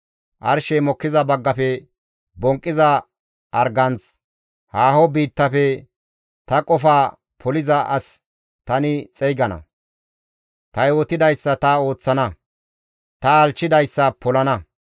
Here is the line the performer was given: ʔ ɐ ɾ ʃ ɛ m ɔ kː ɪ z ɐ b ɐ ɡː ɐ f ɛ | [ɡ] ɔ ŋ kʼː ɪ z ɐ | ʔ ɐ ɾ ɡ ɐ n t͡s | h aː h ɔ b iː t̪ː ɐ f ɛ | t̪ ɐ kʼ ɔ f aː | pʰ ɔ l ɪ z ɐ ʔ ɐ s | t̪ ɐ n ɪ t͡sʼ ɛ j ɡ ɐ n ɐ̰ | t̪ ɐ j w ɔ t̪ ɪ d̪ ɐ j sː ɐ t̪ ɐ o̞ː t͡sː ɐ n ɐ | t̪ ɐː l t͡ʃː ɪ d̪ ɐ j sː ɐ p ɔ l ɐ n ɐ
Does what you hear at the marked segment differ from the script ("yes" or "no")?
yes